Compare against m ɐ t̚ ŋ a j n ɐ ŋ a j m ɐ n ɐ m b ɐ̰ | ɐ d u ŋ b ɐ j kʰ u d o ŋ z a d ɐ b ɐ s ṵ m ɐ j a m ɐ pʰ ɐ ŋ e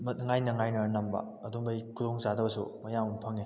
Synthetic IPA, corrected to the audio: m ɐ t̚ ŋ a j n ɐ ŋ a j n ɐ n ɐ m b ɐ̰ | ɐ d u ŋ b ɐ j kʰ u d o ŋ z a d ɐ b ɐ s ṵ m ɐ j a m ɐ pʰ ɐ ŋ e